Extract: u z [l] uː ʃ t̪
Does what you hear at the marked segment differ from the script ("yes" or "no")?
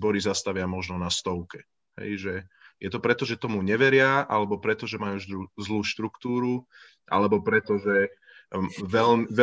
no